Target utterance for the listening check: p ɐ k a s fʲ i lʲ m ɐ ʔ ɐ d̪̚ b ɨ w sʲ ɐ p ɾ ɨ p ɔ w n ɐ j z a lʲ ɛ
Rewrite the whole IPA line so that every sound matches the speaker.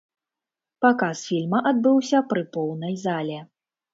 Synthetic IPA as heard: p a k a s fʲ i lʲ m ɐ ʔ a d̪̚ b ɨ w sʲ ɐ p ɾ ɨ p ɔ w n ɐ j z a lʲ ɛ